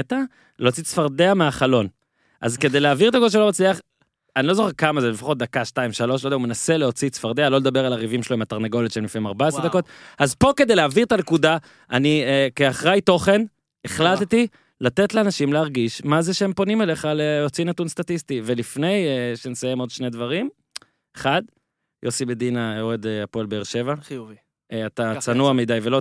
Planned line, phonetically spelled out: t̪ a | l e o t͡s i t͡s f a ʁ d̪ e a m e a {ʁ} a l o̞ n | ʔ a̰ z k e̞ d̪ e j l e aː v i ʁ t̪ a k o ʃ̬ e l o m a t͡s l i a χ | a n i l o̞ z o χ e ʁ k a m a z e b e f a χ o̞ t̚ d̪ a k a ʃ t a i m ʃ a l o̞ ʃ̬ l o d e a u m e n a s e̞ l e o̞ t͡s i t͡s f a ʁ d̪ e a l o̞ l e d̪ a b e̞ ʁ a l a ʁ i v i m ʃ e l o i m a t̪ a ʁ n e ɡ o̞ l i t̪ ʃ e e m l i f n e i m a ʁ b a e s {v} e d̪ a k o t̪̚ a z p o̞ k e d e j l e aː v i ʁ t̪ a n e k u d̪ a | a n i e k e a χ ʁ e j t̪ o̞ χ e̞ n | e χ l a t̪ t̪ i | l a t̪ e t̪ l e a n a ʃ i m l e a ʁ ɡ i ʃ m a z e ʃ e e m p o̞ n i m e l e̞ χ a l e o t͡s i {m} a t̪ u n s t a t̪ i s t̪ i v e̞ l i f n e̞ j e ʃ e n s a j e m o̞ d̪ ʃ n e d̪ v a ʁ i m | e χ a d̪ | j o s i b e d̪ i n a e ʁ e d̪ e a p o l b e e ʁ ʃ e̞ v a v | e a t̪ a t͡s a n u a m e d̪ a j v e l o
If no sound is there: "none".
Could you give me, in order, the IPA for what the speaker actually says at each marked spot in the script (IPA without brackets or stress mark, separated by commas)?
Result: χ, ʁ, n